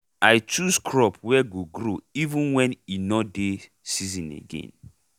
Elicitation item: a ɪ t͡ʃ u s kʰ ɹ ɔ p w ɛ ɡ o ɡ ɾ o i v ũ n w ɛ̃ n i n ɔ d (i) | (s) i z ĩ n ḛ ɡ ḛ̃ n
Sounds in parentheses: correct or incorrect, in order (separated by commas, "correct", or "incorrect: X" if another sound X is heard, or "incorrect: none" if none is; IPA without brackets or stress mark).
incorrect: e, correct